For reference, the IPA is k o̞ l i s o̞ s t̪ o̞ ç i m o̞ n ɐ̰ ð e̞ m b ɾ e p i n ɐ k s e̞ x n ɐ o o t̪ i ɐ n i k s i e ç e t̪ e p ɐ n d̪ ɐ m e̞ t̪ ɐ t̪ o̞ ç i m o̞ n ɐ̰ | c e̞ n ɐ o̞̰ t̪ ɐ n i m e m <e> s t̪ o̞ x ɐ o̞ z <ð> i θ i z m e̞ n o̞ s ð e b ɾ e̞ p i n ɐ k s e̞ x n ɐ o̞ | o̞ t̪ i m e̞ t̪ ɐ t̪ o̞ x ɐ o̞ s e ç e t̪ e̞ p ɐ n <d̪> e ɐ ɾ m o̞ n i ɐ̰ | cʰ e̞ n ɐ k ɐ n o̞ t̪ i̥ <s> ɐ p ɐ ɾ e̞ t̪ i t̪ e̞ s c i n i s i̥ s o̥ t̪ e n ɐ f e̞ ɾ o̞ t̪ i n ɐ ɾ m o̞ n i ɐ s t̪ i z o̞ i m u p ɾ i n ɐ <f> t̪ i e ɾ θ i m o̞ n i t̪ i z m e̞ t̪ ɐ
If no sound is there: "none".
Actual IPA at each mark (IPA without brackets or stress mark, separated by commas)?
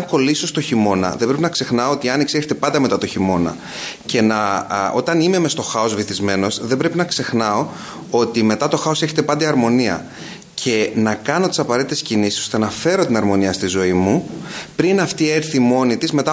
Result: e, v, d̪, s, f